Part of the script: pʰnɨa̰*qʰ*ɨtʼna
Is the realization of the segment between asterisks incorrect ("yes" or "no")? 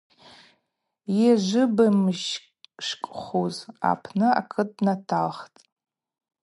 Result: yes